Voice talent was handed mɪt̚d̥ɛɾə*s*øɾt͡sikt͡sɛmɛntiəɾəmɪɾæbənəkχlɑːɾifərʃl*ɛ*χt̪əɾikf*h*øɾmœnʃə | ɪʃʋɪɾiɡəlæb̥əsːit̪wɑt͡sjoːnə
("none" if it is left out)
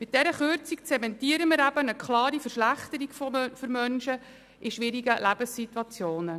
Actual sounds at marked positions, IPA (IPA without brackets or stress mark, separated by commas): χ, æ, f